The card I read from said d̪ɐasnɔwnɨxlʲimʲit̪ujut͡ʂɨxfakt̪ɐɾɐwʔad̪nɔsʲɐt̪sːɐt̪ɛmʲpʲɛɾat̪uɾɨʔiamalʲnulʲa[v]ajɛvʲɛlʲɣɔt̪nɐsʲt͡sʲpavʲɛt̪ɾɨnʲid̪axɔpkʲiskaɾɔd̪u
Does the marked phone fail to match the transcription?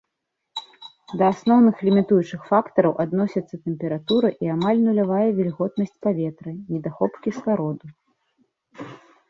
no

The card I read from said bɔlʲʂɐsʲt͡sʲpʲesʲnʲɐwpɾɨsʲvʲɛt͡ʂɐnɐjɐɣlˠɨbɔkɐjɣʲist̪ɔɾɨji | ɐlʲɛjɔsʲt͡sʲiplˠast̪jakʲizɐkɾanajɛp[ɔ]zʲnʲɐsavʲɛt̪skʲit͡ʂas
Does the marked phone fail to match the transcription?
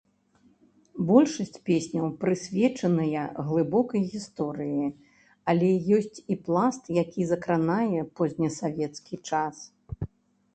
no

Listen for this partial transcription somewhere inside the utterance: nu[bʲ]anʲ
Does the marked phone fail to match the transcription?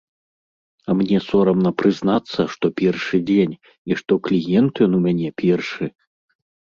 yes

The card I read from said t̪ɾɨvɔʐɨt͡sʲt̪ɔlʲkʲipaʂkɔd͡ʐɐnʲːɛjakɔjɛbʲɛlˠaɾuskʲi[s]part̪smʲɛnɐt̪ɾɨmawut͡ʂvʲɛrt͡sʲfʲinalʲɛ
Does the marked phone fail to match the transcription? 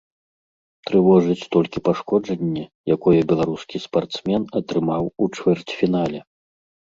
no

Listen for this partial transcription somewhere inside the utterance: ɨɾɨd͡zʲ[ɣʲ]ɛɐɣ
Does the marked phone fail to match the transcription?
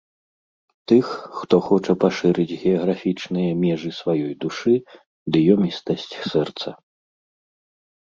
no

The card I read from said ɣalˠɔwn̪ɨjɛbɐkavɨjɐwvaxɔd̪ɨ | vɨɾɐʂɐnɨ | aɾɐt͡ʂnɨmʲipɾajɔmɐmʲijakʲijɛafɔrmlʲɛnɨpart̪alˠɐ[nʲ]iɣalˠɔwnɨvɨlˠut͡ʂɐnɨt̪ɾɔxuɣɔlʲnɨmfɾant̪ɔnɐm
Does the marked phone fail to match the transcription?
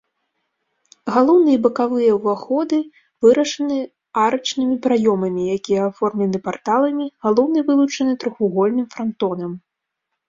yes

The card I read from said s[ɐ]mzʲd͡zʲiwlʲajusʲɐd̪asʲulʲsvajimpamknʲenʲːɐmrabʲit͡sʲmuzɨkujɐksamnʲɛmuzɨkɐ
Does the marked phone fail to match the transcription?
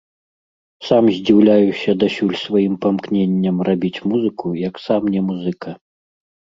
yes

